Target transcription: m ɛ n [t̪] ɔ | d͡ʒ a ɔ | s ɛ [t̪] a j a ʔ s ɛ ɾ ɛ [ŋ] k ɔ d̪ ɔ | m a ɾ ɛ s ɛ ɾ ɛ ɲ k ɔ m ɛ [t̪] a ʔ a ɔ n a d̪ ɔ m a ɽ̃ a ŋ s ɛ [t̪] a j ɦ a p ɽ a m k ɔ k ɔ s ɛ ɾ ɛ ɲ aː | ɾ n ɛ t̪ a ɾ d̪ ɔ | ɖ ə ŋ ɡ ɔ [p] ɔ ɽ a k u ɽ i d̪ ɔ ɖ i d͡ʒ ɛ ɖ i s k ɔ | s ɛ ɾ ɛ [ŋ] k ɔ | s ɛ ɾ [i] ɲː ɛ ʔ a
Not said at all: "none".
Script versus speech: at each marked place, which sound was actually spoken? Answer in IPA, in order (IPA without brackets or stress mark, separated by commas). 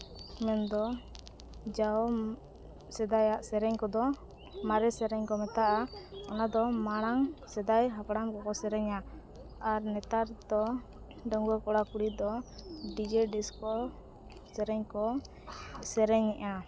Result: d̪, d̪, ɲ, t̪, d̪, k, ɲ, ɛ